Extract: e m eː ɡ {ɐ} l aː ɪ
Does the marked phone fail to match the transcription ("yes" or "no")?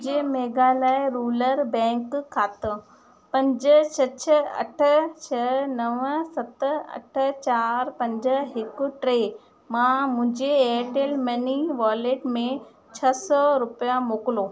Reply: yes